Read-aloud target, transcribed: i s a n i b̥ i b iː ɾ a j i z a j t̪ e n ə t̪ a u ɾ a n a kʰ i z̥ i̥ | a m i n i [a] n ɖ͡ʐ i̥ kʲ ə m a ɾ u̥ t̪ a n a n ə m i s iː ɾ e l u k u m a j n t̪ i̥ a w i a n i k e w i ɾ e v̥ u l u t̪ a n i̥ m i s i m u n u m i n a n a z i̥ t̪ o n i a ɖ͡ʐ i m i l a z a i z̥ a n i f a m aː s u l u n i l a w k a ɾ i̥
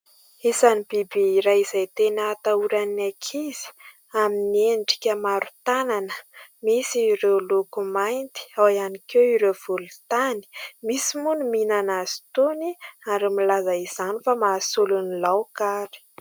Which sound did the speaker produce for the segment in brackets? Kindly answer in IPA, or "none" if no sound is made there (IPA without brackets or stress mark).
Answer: e